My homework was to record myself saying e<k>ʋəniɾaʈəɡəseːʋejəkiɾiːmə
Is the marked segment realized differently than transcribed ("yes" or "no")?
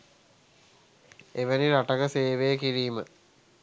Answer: yes